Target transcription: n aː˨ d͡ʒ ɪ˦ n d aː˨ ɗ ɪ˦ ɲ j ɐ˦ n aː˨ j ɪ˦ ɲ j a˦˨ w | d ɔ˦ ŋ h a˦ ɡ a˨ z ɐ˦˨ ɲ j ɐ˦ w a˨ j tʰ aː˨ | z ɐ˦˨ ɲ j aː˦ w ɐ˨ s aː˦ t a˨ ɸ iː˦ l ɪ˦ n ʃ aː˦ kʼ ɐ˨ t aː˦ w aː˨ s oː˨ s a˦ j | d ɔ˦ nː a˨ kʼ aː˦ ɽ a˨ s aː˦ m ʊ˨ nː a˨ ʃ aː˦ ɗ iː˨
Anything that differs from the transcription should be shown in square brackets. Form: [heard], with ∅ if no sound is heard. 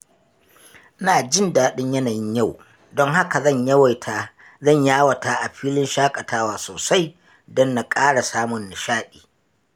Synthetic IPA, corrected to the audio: n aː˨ d͡ʒ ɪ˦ n d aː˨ ɗ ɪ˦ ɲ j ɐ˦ n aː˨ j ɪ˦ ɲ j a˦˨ w | d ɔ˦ ŋ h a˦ [k] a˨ z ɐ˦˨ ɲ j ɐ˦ w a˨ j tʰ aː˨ | z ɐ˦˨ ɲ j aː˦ w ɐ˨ [t] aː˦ [ʔ] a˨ ɸ iː˦ l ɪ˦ n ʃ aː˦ kʼ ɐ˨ t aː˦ w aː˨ s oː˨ s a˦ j | d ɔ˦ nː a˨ kʼ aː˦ ɽ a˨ s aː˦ m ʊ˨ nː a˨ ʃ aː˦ ɗ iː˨

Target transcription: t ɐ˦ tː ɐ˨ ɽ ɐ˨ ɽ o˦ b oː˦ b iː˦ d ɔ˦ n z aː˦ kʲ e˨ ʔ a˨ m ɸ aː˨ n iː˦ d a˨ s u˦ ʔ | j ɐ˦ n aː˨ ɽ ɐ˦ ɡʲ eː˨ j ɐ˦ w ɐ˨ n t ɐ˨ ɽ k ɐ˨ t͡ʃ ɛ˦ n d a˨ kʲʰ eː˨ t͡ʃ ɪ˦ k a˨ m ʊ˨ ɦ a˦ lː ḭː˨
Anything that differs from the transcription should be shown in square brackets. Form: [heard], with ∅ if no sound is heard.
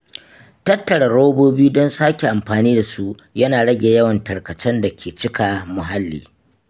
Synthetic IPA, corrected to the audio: t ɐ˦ tː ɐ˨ ɽ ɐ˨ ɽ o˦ b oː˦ b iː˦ d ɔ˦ n [s] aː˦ kʲ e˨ ʔ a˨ m ɸ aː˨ n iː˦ d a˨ s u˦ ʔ | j ɐ˦ n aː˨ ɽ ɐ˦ ɡʲ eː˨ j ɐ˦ w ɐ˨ n t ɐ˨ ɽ k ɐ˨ t͡ʃ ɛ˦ n d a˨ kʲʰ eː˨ t͡ʃ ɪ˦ k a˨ m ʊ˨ ɦ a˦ lː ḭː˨

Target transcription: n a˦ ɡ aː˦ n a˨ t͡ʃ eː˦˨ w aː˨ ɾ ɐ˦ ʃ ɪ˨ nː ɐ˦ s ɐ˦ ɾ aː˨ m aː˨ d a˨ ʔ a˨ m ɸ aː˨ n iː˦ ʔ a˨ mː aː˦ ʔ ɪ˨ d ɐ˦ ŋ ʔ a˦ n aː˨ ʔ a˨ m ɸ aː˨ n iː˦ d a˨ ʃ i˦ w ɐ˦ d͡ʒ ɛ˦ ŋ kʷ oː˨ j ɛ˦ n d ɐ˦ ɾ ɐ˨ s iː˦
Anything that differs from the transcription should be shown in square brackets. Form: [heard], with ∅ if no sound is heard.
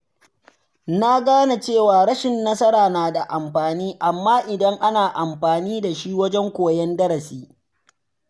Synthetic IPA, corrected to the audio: n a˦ ɡ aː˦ n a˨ t͡ʃ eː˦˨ w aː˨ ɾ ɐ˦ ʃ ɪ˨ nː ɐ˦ s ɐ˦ ɾ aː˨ [n] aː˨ d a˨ ʔ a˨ m ɸ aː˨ n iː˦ ʔ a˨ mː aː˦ ʔ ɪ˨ d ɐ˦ ŋ ʔ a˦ n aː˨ ʔ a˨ m ɸ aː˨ n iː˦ d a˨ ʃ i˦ w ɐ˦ d͡ʒ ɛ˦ ŋ kʷ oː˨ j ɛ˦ n d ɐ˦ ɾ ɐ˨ s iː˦

